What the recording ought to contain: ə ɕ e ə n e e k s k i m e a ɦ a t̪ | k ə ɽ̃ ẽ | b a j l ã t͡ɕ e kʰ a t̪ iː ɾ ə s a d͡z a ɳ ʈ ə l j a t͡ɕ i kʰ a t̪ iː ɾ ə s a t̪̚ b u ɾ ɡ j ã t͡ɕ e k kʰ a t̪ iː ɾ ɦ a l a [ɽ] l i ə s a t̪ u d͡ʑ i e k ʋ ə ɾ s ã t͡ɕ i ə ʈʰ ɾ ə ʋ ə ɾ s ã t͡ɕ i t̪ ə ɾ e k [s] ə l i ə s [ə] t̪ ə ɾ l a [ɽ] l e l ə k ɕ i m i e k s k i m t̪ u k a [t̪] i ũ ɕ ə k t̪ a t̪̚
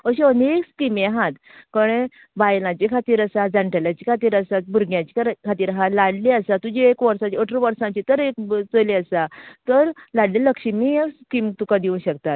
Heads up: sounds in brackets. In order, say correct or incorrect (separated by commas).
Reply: correct, incorrect, incorrect, correct, incorrect